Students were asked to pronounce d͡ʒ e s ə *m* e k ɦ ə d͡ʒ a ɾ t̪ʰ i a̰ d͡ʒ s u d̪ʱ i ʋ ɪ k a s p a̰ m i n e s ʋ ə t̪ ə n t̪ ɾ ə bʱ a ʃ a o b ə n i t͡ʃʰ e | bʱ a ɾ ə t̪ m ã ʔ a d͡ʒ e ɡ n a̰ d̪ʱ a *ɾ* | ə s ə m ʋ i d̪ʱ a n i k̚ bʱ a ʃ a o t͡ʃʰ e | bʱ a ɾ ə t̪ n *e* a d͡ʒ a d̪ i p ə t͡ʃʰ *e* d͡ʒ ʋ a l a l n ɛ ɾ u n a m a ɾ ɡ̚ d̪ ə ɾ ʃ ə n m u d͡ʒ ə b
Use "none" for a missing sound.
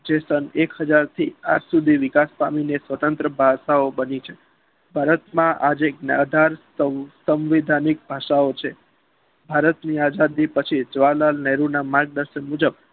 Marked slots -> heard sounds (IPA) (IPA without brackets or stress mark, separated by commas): n, ɾ, i, i